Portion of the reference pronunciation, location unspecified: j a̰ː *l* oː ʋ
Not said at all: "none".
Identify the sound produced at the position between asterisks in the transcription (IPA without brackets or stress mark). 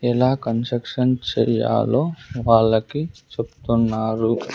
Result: l